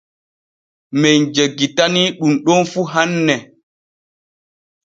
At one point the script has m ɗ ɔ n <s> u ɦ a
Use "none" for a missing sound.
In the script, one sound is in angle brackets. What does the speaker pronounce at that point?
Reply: f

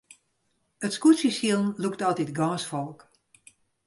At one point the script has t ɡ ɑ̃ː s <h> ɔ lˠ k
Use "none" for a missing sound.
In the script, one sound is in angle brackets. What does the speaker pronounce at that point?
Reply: f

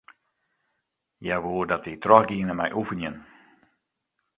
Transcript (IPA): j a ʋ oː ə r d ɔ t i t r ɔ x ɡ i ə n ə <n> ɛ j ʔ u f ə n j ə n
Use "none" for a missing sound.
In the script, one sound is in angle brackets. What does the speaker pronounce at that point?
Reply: m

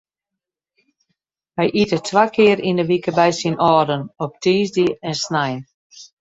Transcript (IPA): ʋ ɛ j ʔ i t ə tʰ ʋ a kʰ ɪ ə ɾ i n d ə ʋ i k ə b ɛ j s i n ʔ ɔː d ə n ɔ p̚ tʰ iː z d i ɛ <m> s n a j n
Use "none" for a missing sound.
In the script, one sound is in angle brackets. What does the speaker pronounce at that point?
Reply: n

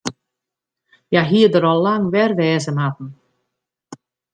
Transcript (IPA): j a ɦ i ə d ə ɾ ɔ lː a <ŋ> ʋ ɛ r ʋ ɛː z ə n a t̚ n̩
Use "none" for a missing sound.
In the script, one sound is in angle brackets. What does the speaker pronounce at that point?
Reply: ŋ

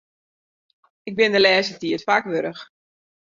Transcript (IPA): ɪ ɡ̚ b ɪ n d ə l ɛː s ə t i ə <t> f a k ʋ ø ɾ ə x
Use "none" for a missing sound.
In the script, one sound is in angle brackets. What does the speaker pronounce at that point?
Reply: t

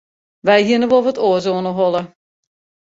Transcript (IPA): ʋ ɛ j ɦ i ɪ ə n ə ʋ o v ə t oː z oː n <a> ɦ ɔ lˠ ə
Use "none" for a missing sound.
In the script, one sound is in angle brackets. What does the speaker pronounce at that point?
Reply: ə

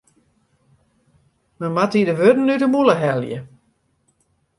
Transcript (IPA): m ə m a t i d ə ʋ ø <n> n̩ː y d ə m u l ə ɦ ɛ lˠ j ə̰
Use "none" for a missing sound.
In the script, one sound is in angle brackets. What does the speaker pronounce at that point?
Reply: d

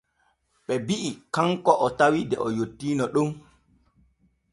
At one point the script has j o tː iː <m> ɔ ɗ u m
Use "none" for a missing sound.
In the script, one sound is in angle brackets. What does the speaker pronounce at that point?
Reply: n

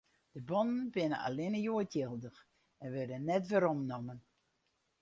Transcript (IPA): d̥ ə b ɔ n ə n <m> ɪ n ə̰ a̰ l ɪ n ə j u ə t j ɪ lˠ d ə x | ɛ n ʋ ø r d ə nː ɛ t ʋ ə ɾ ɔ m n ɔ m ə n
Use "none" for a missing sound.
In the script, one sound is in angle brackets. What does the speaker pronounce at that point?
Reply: b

